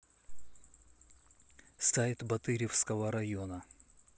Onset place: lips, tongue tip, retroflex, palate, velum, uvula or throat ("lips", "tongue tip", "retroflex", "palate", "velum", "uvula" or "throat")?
tongue tip